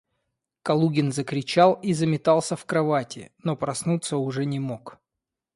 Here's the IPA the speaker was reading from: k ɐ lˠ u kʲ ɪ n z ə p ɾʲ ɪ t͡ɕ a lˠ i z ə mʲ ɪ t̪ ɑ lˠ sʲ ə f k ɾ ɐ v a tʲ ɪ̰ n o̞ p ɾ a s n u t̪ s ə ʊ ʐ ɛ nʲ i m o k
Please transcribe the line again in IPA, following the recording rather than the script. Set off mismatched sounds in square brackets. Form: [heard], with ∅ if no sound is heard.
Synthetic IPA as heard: k ɐ lˠ u [ɡʲ] ɪ n z ə [k] ɾʲ ɪ t͡ɕ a lˠ i z ə mʲ ɪ t̪ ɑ lˠ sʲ ə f k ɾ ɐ v a tʲ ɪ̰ n o̞ p ɾ [ɐ] s n u t̪ s ə ʊ ʐ ɛ nʲ [ɪ] m o k